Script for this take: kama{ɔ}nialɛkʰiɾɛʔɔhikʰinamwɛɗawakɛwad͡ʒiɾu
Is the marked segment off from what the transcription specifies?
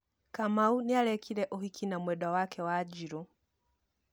yes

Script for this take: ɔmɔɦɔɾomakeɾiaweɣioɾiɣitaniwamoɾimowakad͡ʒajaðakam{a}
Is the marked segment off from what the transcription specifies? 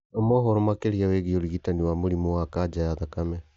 yes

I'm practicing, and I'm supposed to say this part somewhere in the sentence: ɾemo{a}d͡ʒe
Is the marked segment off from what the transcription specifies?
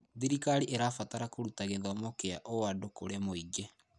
yes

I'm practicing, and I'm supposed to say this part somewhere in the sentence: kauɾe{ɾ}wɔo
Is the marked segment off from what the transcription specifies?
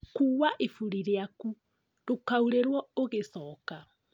no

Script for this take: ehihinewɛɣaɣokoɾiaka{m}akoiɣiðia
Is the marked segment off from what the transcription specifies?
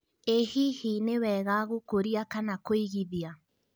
yes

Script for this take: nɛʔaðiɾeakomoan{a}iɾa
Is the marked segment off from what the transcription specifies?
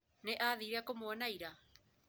no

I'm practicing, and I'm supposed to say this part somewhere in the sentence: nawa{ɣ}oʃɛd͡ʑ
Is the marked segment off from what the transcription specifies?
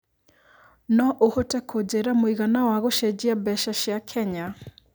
no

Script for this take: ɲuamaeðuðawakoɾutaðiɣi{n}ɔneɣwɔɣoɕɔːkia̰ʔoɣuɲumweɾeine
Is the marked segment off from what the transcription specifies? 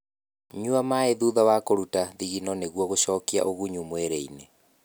no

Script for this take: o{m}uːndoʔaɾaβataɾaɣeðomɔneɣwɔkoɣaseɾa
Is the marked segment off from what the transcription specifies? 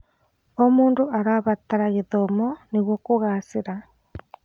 no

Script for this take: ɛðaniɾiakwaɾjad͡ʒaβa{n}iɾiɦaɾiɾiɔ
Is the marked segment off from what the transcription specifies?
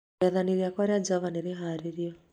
no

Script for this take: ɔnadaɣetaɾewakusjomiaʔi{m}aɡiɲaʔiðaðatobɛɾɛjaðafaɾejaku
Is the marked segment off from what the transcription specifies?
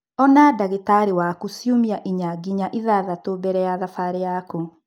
yes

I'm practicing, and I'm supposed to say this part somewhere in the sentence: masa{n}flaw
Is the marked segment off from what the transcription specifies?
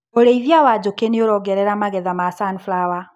no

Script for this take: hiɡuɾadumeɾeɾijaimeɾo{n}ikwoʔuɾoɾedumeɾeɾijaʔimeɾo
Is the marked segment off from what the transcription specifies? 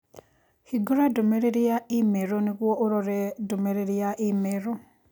no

